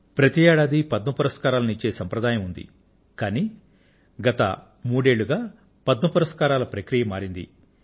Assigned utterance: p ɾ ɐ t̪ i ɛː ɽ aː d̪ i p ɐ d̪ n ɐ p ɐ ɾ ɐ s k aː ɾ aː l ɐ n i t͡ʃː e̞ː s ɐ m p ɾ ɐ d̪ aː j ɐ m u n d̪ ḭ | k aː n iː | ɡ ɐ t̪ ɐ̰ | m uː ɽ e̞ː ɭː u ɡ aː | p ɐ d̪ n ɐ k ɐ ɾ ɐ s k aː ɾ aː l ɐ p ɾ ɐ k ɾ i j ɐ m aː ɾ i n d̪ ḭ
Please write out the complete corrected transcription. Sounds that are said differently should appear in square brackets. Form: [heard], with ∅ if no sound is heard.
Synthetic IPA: p ɾ ɐ t̪ i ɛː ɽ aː d̪ i p ɐ d̪ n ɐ p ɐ ɾ ɐ s k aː ɾ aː l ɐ n i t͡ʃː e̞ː s ɐ m p ɾ ɐ d̪ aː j ɐ m u n d̪ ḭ | k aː n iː | ɡ ɐ t̪ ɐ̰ | m uː ɽ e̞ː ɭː u ɡ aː | p ɐ d̪ n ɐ [p] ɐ ɾ ɐ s k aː ɾ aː l ɐ p ɾ ɐ k ɾ i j ɐ m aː ɾ i n d̪ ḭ